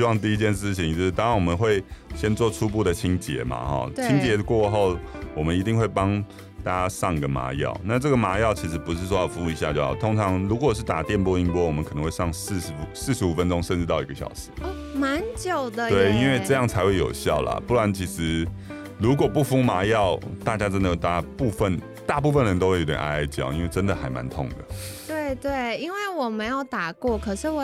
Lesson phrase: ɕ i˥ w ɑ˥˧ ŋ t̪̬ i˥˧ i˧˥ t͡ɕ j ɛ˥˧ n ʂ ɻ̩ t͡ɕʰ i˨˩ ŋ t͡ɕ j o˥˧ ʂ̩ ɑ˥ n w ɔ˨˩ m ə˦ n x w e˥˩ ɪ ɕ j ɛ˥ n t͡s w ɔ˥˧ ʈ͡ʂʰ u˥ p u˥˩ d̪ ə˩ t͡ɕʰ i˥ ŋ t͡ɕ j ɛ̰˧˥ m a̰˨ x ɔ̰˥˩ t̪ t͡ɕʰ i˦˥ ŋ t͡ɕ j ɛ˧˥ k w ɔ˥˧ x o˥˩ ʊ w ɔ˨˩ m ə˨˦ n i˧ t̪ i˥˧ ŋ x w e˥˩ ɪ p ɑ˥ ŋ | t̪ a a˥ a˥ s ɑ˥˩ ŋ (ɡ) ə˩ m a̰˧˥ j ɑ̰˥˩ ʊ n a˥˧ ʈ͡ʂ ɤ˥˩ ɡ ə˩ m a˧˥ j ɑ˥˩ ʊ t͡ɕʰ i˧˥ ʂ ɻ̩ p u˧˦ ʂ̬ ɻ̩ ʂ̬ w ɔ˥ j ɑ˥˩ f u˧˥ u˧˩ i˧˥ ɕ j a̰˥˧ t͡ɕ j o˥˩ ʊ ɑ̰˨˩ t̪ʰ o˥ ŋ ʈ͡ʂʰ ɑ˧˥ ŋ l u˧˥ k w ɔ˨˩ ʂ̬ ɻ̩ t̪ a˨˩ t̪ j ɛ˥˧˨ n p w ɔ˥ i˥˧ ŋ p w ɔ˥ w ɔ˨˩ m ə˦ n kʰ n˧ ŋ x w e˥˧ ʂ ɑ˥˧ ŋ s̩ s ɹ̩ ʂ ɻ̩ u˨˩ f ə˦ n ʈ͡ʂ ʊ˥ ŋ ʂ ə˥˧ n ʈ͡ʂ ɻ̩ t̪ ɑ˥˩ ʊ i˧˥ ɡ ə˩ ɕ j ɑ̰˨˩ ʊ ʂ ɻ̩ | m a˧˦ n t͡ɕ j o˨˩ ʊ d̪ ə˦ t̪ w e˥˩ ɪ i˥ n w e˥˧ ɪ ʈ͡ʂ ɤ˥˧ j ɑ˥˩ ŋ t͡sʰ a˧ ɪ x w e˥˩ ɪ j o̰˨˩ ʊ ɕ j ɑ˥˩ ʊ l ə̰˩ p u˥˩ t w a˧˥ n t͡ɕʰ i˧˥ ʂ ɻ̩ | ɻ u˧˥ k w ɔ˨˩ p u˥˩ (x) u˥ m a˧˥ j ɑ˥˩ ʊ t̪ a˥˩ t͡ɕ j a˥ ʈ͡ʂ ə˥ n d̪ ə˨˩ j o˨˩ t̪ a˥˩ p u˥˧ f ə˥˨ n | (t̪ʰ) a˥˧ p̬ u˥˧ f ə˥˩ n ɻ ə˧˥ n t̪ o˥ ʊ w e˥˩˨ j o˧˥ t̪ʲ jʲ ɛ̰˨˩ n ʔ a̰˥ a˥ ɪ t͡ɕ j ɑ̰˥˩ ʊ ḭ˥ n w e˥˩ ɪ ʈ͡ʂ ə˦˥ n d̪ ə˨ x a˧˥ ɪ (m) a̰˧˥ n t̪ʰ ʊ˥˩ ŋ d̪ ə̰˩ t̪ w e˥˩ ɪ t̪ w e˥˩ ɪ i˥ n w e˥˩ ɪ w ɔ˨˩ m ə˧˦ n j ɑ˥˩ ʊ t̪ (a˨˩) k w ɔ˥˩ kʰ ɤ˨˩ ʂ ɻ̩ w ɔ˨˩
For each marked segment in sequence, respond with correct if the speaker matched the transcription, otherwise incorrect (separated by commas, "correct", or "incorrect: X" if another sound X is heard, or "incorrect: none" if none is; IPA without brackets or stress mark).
correct, incorrect: f, incorrect: t̪, correct, correct